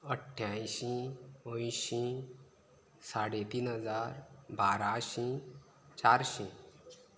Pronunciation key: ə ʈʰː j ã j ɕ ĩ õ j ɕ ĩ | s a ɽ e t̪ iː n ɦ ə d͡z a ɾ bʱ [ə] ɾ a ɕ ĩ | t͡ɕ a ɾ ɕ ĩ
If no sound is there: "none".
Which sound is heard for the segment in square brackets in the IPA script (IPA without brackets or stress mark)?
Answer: a